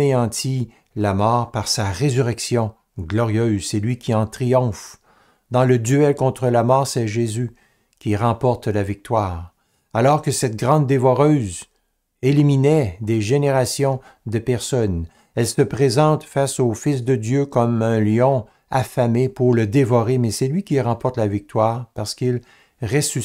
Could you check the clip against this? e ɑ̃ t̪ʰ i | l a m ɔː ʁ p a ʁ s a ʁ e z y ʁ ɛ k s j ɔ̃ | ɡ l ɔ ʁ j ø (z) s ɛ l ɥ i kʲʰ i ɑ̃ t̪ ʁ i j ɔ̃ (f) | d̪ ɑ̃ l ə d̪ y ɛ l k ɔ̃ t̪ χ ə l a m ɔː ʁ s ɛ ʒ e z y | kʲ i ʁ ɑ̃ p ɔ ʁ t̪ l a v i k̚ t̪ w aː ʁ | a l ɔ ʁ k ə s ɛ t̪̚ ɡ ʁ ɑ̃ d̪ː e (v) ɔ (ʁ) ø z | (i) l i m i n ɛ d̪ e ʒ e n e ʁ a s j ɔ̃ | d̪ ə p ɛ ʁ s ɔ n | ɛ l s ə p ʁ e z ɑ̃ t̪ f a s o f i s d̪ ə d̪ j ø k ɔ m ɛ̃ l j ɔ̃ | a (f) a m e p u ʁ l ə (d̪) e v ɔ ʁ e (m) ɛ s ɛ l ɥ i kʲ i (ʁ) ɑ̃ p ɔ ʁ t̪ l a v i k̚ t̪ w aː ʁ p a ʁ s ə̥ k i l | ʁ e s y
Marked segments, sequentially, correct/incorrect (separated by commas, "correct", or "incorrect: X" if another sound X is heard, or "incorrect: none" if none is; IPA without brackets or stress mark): correct, correct, correct, correct, incorrect: e, correct, correct, correct, correct